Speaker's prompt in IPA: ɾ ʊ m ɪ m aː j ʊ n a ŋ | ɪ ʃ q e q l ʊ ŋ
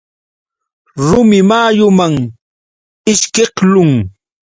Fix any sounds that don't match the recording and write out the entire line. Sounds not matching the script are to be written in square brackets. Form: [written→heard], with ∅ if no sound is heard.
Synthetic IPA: ɾ ʊ m ɪ m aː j ʊ [n→m] a ŋ | ɪ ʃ [q→k] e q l ʊ ŋ